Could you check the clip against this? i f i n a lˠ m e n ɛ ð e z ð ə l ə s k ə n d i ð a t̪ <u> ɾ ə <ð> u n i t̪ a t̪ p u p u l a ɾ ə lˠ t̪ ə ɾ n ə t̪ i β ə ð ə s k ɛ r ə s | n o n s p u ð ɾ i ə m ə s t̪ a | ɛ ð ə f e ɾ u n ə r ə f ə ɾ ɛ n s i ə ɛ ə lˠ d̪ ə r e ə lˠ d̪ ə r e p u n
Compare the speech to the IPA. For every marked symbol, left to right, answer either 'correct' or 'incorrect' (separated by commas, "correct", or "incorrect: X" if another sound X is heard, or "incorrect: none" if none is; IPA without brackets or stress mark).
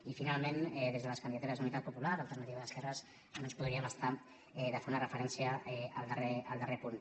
correct, incorrect: z